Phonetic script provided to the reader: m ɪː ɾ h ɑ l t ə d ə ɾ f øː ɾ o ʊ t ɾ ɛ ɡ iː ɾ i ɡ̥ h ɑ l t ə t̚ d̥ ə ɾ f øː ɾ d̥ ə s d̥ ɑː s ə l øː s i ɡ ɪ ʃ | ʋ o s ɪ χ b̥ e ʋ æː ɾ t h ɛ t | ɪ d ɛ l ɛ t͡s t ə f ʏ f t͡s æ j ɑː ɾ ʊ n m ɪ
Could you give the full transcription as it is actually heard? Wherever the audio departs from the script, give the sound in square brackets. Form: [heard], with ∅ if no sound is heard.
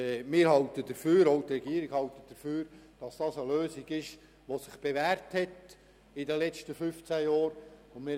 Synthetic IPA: m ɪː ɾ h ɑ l t ə d ə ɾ f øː ɾ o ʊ t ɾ ɛ ɡ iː ɾ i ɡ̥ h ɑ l t ə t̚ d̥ ə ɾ f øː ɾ d̥ [ɑ] s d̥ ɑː s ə l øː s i ɡ ɪ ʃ | ʋ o s ɪ χ b̥ e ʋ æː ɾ t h ɛ t | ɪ d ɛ l ɛ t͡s t ə f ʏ f t͡s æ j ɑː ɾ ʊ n m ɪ